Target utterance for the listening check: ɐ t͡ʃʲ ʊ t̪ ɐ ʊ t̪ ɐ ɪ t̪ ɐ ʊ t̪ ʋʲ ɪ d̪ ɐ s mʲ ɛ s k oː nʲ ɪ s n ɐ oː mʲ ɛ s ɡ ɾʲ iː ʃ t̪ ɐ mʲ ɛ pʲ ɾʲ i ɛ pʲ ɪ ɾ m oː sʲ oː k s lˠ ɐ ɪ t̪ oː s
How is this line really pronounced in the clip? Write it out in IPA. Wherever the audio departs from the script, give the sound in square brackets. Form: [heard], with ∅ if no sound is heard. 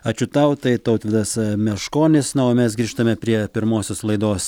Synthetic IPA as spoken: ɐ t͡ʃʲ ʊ t̪ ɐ ʊ t̪ ɐ ɪ t̪ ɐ ʊ t̪ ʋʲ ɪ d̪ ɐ s mʲ ɛ [ʃ] k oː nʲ ɪ s n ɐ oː mʲ ɛ s ɡ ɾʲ iː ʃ t̪ ɐ mʲ ɛ pʲ ɾʲ i ɛ pʲ ɪ ɾ m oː sʲ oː [∅] s lˠ ɐ ɪ [d̪] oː s